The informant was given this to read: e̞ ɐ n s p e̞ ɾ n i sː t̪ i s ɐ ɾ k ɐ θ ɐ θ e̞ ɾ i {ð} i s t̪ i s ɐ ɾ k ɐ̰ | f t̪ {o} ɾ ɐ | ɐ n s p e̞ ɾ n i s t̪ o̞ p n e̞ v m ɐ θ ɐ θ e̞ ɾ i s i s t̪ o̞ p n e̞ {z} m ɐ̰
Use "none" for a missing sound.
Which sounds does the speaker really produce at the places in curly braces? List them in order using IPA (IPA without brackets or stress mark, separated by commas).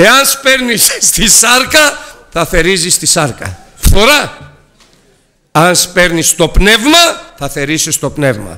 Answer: z, o, v